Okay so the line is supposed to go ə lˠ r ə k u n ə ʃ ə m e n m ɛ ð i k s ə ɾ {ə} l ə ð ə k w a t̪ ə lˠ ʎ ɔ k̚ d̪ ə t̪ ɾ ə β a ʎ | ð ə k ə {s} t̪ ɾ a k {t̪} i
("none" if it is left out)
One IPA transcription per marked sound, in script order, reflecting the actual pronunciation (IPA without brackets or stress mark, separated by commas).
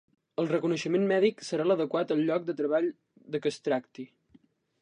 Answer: a, s, t̪